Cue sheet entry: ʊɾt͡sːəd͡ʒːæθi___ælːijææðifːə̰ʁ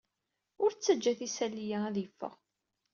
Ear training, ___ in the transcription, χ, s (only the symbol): s